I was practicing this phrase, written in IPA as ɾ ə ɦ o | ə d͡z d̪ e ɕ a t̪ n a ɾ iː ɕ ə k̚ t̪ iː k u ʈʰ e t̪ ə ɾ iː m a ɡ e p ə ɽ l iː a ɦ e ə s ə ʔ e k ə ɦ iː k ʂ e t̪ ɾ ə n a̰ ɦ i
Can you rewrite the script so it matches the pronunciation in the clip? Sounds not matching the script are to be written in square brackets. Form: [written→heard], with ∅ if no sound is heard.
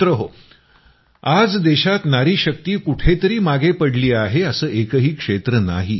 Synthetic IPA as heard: ɾ ə ɦ o | [ə→a] d͡z d̪ e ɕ a t̪ n a ɾ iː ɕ ə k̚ t̪ iː k u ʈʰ e t̪ ə ɾ iː m a ɡ e p ə ɽ l iː a ɦ e ə s [ə→əː] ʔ e k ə ɦ iː k ʂ e t̪ ɾ ə n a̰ ɦ i